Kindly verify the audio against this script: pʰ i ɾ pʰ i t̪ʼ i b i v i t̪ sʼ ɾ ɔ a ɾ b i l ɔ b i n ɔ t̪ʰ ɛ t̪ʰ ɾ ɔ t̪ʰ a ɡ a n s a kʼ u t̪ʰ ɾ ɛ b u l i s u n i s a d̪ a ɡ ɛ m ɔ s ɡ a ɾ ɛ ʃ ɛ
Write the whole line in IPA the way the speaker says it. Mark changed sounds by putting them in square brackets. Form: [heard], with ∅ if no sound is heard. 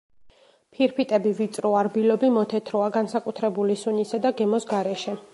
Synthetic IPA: pʰ i ɾ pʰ i t̪ʼ [ɛ] b i v i t̪ sʼ ɾ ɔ a ɾ b i l ɔ b i [m] ɔ t̪ʰ ɛ t̪ʰ ɾ ɔ [∅] a ɡ a n s a kʼ u t̪ʰ ɾ ɛ b u l i s u n i s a d̪ a ɡ ɛ m ɔ s ɡ a ɾ ɛ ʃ ɛ